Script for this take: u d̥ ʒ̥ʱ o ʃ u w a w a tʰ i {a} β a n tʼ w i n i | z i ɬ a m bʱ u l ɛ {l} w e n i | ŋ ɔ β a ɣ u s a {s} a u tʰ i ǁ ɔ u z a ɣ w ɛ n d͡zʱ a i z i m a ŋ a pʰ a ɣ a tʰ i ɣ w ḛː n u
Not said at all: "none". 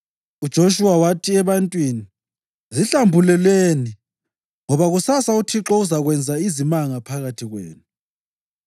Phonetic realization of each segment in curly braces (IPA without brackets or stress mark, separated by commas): ɛ, l, s